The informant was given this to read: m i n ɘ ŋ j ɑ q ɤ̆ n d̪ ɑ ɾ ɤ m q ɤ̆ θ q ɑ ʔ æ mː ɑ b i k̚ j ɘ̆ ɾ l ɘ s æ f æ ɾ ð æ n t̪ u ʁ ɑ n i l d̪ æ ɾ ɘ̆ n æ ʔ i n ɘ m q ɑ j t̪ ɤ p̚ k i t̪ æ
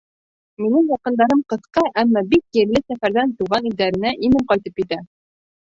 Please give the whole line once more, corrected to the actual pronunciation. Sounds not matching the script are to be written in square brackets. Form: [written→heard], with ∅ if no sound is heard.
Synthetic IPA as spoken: m i n ɘ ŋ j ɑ q ɤ̆ n d̪ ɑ ɾ ɤ m q ɤ̆ θ q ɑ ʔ æ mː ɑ b i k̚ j ɘ̆ ɾ l ɘ s æ f æ ɾ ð æ n t̪ u ʁ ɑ n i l d̪ æ ɾ ɘ̆ n æ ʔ i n ɘ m q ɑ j t̪ ɤ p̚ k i t̪ æ